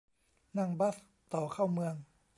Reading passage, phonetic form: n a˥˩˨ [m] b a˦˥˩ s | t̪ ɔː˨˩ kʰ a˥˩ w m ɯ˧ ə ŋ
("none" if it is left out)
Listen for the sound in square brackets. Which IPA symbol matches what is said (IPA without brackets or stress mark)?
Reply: ŋ